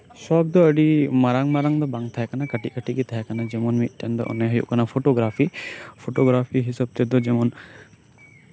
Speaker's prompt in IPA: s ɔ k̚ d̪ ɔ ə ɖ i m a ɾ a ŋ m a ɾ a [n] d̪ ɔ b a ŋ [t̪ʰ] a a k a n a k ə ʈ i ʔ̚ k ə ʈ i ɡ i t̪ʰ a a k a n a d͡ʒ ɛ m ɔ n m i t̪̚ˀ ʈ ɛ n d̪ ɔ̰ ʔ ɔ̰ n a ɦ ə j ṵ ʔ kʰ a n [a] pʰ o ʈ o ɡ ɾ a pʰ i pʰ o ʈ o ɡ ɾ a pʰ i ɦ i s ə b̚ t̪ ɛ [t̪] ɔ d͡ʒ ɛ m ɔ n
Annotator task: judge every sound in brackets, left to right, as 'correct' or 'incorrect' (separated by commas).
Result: incorrect, correct, correct, incorrect